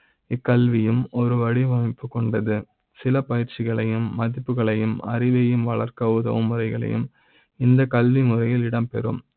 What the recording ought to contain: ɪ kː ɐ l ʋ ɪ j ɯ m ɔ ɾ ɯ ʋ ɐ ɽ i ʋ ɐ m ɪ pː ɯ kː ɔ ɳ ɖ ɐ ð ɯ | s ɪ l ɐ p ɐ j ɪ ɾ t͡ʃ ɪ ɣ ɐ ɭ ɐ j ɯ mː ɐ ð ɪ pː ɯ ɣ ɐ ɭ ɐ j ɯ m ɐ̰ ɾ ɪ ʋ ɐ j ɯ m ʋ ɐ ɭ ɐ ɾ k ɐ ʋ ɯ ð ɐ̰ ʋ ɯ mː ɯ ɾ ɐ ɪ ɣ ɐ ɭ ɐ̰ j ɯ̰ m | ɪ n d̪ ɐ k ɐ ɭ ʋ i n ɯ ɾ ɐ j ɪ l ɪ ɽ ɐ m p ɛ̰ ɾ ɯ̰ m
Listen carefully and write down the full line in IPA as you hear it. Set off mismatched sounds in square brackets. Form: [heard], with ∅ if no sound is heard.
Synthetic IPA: ɪ kː ɐ l ʋ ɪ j ɯ m ɔ ɾ ɯ ʋ ɐ ɽ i ʋ ɐ m ɪ pː ɯ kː ɔ ɳ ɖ ɐ ð ɯ | s ɪ l ɐ p ɐ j ɪ ɾ t͡ʃ ɪ ɣ ɐ ɭ ɐ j ɯ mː ɐ ð ɪ pː ɯ ɣ ɐ ɭ ɐ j ɯ m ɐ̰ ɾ ɪ ʋ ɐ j ɯ m ʋ ɐ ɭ ɐ ɾ k ɐ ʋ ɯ ð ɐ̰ ʋ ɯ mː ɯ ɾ ɐ ɪ ɣ ɐ ɭ ɐ̰ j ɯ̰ m | ɪ n d̪ ɐ k ɐ [l] ʋ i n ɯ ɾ ɐ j ɪ l ɪ ɽ ɐ m p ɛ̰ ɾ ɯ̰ m